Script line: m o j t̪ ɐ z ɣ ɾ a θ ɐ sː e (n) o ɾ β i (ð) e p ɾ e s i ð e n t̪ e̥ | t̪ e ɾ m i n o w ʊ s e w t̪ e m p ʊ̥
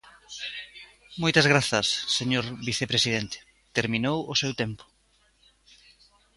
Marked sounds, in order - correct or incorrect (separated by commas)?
incorrect, incorrect